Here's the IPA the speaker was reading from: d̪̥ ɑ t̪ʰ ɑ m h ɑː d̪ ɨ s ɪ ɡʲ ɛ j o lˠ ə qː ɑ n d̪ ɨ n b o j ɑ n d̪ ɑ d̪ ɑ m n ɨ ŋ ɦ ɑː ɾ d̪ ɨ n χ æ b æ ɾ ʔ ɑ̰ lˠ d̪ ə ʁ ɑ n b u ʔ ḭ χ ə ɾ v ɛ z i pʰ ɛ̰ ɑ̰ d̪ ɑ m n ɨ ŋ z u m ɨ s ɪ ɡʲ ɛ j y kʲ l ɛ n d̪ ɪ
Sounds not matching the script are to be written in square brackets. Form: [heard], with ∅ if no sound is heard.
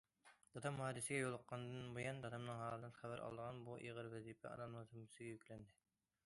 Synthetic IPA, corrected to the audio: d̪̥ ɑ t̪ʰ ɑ m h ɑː d̪ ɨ s ɪ ɡʲ ɛ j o lˠ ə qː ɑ n d̪ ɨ n b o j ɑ n d̪ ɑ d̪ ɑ m n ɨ ŋ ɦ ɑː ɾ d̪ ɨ n χ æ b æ ɾ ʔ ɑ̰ lˠ d̪ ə ʁ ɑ n b u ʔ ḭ [ʁ] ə ɾ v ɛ z i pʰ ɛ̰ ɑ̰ d̪ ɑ m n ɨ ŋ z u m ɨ s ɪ ɡʲ ɛ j y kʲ l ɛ n d̪ ɪ

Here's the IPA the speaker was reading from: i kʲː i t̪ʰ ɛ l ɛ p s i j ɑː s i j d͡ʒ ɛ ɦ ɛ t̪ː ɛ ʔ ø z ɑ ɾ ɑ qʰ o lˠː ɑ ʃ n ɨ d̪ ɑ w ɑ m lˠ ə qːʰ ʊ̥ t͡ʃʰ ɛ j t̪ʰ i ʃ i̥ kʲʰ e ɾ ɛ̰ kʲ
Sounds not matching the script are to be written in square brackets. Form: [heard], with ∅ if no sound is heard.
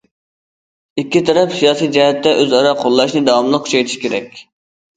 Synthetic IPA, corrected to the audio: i kʲː i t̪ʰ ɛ [ɾ] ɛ p s i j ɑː s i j d͡ʒ ɛ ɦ ɛ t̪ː ɛ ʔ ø z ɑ ɾ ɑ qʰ o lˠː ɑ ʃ n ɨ d̪ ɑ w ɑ m lˠ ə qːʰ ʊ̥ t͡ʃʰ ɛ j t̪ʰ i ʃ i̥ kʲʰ e ɾ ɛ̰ kʲ

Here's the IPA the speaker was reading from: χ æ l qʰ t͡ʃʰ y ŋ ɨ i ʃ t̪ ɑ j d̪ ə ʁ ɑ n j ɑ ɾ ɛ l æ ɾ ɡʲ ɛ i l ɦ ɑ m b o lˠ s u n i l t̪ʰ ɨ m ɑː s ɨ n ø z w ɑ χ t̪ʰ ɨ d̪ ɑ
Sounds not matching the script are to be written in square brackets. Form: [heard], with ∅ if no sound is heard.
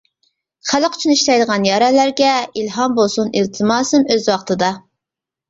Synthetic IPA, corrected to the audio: χ æ l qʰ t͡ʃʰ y [n] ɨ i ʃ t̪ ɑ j d̪ ə ʁ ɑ n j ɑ ɾ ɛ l æ ɾ ɡʲ ɛ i l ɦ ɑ m b o lˠ s u n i l t̪ʰ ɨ m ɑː s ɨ [m] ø z w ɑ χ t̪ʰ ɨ d̪ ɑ

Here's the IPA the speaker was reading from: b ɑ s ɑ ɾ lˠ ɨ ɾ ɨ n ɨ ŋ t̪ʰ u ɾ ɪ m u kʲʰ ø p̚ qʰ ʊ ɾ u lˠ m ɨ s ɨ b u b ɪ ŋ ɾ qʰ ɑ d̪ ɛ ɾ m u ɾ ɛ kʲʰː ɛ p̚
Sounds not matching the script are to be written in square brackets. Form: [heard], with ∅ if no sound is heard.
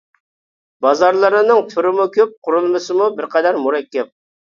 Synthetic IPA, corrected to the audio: b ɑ [z] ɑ ɾ lˠ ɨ ɾ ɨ n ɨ ŋ t̪ʰ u ɾ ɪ m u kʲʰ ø p̚ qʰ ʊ ɾ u lˠ m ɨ s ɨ [m] u b ɪ [∅] ɾ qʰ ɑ d̪ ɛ ɾ m u ɾ ɛ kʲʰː ɛ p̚

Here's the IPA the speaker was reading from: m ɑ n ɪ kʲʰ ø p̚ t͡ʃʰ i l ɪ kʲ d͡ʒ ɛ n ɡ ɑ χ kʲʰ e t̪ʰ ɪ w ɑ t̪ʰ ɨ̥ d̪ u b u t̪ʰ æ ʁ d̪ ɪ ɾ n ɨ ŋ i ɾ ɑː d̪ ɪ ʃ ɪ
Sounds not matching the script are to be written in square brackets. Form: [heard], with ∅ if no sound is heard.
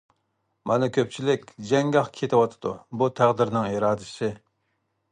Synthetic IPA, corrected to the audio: m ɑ n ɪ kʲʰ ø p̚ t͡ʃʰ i l ɪ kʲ d͡ʒ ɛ [ŋ] ɡ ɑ χ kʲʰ e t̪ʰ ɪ w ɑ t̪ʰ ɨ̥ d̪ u b u t̪ʰ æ ʁ d̪ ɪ ɾ n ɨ ŋ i ɾ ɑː d̪ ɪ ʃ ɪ

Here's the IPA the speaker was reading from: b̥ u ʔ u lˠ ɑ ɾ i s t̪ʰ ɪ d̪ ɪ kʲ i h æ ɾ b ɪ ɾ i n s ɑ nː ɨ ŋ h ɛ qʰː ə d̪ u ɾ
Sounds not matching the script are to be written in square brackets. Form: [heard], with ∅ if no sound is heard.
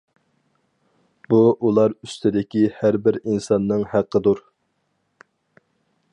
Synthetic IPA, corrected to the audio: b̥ u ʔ u lˠ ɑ ɾ [y] s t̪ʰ ɪ d̪ ɪ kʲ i h æ ɾ b ɪ ɾ i n s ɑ nː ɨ ŋ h [æ] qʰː ə d̪ u ɾ

